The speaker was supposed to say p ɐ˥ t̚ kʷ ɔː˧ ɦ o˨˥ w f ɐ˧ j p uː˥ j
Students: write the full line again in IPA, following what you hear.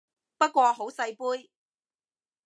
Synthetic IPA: p ɐ˥ t̚ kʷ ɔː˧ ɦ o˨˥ w s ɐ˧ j p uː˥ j